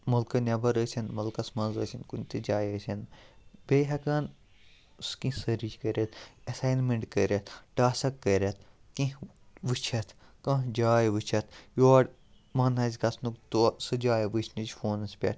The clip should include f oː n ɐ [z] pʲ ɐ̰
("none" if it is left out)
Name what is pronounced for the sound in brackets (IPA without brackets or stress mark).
s